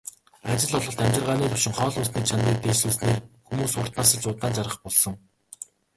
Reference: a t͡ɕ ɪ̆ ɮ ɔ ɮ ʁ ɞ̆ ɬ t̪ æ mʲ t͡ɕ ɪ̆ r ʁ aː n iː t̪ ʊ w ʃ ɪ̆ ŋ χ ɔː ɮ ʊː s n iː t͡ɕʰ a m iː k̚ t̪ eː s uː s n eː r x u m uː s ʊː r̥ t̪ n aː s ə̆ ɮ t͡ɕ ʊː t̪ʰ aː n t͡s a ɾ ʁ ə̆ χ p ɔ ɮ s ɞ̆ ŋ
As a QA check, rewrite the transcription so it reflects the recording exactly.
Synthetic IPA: a t͡ɕ ɪ̆ ɮ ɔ ɮ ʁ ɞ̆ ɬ t̪ æ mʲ t͡ɕ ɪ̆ r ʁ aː n iː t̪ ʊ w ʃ ɪ̆ ŋ χ ɔː ɮ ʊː s n iː t͡ɕʰ a n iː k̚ t̪ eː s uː s n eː r x u m uː s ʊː r̥ t̪ n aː s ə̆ ɮ t͡ɕ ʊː t̪ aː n t͡s a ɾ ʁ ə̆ χ p ɔ ɮ s ɞ̆ ŋ